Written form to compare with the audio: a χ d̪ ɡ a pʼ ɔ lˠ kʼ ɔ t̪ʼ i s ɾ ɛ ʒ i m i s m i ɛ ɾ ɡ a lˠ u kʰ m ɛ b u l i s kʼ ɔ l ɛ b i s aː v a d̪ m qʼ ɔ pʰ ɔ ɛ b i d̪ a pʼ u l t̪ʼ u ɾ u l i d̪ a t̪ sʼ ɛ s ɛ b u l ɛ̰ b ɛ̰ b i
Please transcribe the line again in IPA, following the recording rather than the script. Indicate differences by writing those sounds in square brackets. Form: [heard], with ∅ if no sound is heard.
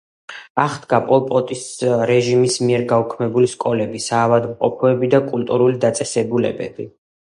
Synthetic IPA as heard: a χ d̪ ɡ a pʼ ɔ lˠ [pʼ] ɔ t̪ʼ i s ɾ ɛ ʒ i m i s m i ɛ ɾ ɡ a [∅] u kʰ m ɛ b u l i s kʼ ɔ l ɛ b i s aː v a d̪ m qʼ ɔ pʰ ɔ ɛ b i d̪ a [kʼ] u l t̪ʼ u ɾ u l i d̪ a t̪ sʼ ɛ s ɛ b u l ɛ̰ b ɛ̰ b i